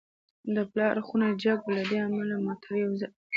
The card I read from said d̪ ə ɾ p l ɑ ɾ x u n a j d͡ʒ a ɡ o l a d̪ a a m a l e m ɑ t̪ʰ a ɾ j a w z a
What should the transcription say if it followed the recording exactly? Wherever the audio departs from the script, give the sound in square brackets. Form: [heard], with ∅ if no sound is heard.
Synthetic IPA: d̪ ə [∅] p l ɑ ɾ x u n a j d͡ʒ a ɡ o l a d̪ [e] a m a l [a] m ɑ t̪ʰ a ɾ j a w z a